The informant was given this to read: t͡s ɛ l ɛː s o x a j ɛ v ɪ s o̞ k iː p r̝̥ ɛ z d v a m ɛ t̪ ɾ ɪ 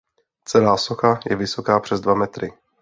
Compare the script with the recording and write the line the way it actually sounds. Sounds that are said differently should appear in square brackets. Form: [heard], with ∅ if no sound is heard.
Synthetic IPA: t͡s ɛ l [aː] s o x a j ɛ v ɪ s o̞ k [aː] p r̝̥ ɛ z d v a m ɛ t̪ ɾ ɪ